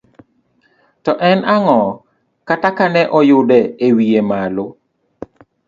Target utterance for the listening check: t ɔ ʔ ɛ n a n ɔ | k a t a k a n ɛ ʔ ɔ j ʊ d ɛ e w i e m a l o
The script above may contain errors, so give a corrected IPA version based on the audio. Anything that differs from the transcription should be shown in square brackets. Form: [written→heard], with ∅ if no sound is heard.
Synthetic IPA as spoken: t ɔ ʔ ɛ n a [n→ŋ] ɔ | k a t a k a n ɛ ʔ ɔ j ʊ d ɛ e w i e m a l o